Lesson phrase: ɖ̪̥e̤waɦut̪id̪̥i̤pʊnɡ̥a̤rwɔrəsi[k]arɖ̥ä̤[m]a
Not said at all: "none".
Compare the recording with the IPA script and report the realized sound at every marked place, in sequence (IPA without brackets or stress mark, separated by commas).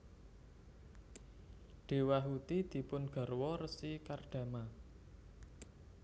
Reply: k, m